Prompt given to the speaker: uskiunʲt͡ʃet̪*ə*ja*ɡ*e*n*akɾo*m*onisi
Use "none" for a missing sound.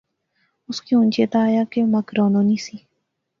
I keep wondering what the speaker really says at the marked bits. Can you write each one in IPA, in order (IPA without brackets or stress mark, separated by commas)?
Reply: a, k, m, n